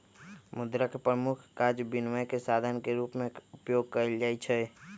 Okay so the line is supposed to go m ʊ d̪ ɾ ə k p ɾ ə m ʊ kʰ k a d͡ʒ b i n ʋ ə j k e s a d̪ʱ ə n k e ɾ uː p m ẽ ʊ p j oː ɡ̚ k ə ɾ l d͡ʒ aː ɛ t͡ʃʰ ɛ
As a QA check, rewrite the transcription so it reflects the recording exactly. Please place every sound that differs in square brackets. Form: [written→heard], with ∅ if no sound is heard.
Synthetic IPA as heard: m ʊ d̪ ɾ ə k p ɾ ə m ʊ kʰ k a d͡ʒ b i n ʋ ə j k e s a d̪ʱ ə n k e ɾ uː p m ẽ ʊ p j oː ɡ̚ k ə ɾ l d͡ʒ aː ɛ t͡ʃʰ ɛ